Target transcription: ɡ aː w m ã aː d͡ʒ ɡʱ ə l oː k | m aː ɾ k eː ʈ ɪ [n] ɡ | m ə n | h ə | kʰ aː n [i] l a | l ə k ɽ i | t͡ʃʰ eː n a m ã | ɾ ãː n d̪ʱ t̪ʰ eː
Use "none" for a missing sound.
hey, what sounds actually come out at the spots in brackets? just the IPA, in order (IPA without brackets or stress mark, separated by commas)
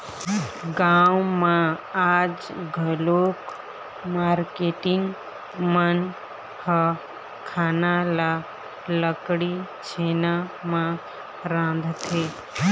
ŋ, a